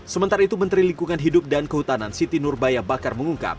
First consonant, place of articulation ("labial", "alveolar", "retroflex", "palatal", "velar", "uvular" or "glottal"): alveolar